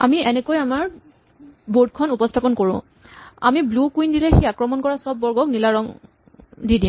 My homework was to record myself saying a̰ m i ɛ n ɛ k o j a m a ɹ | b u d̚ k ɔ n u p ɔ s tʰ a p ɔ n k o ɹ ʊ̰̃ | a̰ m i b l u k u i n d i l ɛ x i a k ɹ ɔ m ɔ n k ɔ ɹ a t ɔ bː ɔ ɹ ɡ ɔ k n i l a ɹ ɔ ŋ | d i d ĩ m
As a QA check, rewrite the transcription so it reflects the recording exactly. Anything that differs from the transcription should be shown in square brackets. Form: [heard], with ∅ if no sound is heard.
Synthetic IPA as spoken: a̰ m i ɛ n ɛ k o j a m a ɹ | b [o] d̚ [kʰ] ɔ n u p ɔ s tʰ a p ɔ n k o ɹ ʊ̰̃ | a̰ m i b l u k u i n d i l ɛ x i a k ɹ ɔ m ɔ n k ɔ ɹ a [s] ɔ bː ɔ ɹ ɡ ɔ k n i l a ɹ ɔ ŋ | d i d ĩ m